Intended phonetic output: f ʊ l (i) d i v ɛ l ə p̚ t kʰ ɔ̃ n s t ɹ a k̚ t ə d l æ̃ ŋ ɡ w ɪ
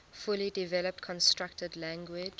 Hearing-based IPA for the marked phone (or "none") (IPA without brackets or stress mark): i